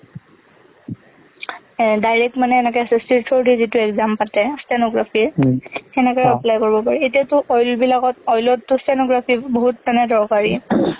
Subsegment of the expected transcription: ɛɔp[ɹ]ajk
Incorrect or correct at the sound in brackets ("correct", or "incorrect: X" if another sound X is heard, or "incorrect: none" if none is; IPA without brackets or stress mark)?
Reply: incorrect: l